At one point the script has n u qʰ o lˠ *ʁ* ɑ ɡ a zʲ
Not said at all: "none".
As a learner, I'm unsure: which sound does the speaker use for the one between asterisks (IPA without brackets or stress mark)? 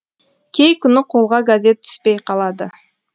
ʁ